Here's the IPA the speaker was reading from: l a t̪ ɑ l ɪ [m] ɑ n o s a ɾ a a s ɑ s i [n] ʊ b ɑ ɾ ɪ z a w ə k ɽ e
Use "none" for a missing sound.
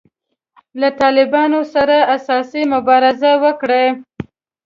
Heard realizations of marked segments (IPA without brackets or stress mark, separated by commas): b, m